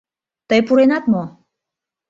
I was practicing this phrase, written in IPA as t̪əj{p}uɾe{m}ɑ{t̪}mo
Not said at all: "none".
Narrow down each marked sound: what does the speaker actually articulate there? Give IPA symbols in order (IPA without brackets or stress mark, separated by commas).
p, n, t̪